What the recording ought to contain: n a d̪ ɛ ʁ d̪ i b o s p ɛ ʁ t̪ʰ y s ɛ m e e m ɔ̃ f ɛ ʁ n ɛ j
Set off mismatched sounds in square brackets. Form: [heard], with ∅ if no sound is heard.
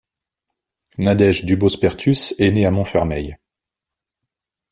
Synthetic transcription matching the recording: n a d̪ ɛ [ʒ] d̪ [y] b o s p ɛ ʁ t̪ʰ y s ɛ [n] e [a] m ɔ̃ f ɛ ʁ [m] ɛ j